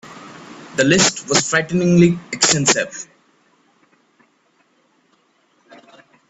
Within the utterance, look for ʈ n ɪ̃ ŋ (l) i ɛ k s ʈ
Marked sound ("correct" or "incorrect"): correct